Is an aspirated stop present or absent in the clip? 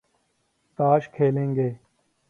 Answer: present